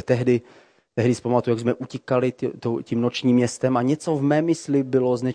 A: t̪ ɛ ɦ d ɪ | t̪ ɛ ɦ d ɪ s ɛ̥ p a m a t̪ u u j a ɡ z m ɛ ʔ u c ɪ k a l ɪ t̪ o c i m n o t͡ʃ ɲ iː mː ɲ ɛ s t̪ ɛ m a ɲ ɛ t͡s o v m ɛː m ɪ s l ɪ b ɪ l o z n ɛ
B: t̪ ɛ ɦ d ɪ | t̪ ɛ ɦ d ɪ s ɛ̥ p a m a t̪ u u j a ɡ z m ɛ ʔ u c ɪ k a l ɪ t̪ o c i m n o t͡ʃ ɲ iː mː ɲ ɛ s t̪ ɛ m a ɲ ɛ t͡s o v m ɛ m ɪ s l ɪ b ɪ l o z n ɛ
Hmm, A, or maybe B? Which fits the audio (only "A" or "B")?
A